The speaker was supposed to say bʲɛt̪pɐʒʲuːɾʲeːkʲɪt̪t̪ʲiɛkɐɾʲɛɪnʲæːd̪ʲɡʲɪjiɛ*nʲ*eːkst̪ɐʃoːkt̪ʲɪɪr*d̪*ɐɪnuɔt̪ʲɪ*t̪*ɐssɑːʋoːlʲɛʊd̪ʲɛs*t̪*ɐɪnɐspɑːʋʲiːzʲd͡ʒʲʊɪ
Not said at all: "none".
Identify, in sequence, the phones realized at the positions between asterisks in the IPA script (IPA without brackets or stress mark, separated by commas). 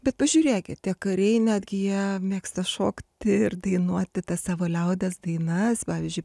mʲ, d̪, t̪, d̪